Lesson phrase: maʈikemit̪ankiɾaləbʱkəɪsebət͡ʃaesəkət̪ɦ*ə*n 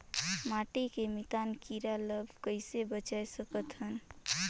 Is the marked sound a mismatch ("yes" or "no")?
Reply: no